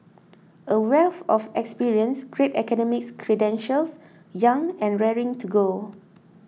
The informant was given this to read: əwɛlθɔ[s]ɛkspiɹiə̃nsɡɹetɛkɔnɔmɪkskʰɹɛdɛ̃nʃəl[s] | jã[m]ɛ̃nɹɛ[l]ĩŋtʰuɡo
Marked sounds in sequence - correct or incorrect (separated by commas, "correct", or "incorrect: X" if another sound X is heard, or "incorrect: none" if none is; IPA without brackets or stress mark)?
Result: incorrect: f, correct, incorrect: ŋ, incorrect: ɹ